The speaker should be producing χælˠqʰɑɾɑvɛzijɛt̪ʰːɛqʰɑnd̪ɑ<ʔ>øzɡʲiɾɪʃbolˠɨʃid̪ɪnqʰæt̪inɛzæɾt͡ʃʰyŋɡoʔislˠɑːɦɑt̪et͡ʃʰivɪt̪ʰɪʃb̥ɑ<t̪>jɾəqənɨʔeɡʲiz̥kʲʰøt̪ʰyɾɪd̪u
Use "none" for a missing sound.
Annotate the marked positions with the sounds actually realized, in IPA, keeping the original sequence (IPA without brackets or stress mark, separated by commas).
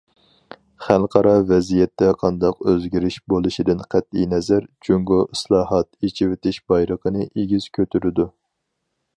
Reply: q, none